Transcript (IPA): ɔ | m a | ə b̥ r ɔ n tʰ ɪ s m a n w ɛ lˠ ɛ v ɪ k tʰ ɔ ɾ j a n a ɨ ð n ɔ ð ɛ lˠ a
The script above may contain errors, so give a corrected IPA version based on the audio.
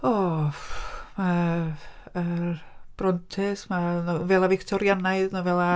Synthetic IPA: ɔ | m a | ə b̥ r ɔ n tʰ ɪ s m a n v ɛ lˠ a v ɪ k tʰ ɔ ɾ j a n a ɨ ð n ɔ v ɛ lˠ a